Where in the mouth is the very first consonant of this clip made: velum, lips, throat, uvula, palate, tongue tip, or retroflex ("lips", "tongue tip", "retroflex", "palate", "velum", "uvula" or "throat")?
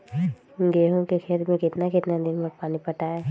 velum